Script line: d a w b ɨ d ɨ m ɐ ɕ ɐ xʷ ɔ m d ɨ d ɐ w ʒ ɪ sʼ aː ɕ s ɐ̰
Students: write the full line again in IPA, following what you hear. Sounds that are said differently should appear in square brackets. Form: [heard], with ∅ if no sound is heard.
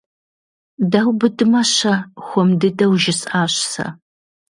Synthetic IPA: d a w b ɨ d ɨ m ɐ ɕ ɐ xʷ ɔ m d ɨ d ɐ w ʒ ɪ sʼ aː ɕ s ɐ̰